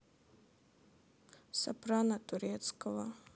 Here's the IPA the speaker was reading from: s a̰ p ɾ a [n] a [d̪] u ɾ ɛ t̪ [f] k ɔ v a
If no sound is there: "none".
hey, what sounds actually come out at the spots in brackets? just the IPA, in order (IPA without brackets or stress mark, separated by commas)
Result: n, t̪, s